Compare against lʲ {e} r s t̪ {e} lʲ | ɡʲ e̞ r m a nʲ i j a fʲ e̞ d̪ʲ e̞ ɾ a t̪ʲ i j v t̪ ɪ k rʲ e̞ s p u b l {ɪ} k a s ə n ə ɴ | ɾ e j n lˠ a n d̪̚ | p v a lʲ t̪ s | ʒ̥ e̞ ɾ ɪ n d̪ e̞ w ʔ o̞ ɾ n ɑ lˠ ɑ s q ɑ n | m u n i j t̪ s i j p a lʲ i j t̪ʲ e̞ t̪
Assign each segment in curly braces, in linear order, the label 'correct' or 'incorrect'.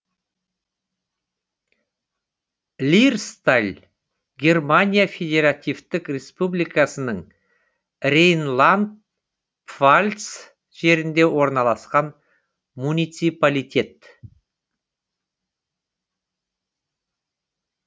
incorrect: i, incorrect: a, incorrect: i

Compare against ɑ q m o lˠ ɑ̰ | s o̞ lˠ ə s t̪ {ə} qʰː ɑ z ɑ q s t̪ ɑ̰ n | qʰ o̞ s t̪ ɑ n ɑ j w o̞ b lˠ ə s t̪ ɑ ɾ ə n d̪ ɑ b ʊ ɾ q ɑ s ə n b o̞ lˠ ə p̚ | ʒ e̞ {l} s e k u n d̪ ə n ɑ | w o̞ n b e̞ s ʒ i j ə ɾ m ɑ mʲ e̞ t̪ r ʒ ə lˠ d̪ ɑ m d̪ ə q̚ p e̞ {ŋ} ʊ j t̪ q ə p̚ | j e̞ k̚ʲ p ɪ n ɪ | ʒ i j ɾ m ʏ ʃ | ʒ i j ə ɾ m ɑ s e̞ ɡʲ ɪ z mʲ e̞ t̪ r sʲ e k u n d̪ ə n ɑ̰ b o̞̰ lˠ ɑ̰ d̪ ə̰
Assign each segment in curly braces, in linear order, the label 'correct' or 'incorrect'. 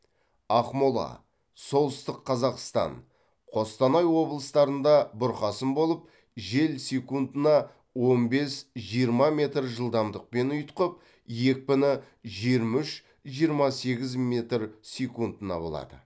correct, correct, incorrect: n

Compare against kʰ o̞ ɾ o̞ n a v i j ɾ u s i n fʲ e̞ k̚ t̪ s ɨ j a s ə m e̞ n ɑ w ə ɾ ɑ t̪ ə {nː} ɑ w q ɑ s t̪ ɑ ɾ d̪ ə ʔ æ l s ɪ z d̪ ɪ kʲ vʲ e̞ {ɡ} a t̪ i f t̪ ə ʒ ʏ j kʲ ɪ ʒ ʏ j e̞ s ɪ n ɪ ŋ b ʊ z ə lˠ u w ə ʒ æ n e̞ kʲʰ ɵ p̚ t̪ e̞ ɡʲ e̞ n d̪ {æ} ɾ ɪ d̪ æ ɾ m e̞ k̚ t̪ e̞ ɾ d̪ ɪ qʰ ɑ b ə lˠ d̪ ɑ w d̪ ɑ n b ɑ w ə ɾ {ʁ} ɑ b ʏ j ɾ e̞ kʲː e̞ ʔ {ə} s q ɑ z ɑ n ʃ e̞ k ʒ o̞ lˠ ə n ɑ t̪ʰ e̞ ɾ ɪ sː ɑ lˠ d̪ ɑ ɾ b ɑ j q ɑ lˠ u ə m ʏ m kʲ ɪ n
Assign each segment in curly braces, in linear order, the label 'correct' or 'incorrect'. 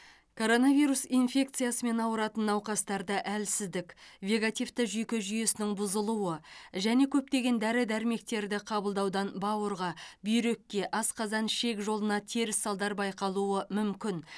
correct, correct, correct, correct, incorrect: ɑ

